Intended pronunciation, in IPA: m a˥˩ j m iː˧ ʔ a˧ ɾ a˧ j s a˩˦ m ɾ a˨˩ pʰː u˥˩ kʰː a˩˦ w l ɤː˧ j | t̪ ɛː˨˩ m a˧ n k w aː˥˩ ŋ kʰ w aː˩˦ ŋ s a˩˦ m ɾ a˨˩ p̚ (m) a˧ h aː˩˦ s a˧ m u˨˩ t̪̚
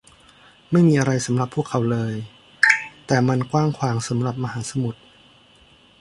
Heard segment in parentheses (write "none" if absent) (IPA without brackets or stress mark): m